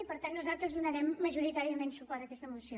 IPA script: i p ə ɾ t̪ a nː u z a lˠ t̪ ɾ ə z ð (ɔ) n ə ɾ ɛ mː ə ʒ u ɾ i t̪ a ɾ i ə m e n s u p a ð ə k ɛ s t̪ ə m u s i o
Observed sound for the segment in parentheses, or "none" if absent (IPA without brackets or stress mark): u